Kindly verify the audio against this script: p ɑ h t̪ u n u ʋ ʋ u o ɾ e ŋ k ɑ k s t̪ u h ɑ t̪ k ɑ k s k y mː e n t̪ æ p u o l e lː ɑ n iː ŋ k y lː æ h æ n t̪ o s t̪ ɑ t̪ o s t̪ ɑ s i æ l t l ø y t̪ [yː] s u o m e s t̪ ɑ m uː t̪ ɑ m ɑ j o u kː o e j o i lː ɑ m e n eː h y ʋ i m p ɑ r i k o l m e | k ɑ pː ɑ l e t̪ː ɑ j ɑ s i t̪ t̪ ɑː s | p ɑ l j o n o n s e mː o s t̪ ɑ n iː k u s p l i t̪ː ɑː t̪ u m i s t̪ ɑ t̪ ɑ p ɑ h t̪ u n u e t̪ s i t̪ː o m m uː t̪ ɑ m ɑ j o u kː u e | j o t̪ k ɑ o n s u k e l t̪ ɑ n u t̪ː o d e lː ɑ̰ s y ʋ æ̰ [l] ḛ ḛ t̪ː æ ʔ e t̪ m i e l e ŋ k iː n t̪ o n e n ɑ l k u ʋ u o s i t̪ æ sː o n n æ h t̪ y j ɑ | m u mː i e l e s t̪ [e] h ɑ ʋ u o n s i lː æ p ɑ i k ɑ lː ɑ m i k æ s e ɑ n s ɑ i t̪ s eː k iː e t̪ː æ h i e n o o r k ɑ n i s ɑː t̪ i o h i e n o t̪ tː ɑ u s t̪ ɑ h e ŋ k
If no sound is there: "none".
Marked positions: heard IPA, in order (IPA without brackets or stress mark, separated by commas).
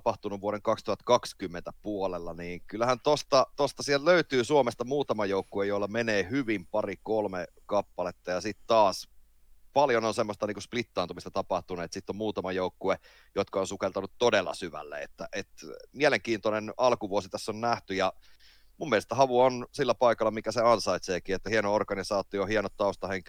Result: yː, lː, æ